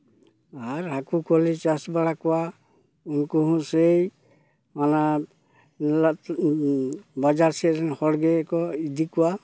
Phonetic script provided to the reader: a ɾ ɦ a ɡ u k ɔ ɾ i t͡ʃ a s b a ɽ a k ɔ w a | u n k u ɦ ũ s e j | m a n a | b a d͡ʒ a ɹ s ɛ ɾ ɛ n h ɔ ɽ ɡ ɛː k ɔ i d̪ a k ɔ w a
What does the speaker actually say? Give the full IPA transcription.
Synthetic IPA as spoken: a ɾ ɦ a k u k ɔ l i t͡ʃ a s b a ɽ a k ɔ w a | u n k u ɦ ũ s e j | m a n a | b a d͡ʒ a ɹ s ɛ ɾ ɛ n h ɔ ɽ ɡ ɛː k ɔ i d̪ i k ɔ w a